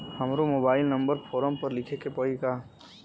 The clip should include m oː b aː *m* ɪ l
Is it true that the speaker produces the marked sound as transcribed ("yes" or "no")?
no